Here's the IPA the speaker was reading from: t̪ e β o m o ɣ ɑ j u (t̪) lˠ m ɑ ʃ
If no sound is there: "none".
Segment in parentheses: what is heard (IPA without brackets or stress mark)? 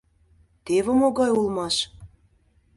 none